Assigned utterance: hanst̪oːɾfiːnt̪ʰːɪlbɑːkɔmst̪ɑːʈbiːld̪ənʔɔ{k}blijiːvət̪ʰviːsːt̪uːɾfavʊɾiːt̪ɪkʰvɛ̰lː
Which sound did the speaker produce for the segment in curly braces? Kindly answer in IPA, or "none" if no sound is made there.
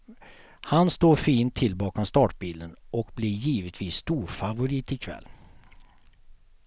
k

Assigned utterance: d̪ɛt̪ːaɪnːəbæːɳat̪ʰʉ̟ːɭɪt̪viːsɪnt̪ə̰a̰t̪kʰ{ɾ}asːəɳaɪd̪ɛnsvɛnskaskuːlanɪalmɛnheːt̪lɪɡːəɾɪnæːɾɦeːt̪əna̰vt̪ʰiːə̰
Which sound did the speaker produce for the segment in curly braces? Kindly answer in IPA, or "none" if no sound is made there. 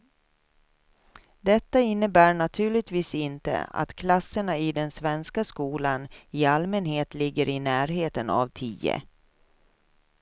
l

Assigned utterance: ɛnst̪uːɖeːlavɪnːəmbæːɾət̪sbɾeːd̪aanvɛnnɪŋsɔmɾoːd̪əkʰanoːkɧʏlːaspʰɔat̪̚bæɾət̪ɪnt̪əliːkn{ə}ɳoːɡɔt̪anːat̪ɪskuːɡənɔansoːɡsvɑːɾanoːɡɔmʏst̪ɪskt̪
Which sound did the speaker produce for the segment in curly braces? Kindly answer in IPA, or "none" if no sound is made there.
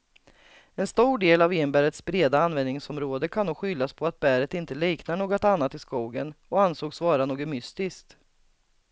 a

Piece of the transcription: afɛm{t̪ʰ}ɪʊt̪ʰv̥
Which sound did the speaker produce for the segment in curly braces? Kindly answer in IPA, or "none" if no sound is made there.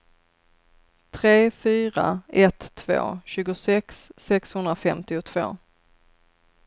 t̪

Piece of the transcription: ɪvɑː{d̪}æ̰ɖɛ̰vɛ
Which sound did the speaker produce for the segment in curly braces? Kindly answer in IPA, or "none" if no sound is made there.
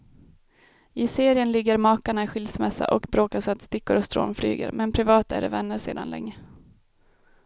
t̪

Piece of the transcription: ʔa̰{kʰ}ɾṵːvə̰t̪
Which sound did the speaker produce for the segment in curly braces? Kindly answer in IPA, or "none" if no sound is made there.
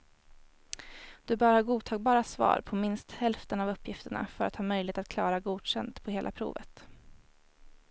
pʰ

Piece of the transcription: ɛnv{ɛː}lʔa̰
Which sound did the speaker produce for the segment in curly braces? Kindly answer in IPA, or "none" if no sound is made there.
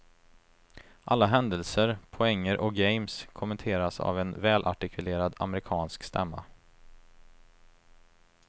ɛː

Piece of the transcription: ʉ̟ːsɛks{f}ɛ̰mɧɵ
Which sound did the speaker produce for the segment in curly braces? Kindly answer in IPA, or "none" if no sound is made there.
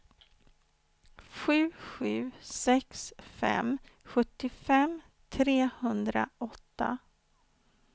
f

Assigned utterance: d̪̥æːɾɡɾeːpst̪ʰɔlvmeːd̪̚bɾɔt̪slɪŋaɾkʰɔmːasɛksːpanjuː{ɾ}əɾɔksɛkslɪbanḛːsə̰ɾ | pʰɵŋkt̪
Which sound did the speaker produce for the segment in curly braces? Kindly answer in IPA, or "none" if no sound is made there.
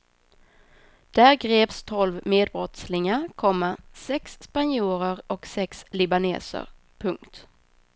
ɾ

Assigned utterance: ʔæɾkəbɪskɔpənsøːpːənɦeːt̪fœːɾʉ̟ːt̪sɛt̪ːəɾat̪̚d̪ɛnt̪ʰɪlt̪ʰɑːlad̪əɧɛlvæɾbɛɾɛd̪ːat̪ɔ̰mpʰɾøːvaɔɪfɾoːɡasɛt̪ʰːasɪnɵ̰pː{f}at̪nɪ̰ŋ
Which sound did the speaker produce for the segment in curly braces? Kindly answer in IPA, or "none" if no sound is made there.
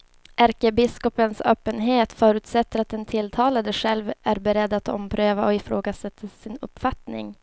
f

